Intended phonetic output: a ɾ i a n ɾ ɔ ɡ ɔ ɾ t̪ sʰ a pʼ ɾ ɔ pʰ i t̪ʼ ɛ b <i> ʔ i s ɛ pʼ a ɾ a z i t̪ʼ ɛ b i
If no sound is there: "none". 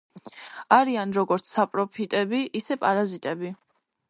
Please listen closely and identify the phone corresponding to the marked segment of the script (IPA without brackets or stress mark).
i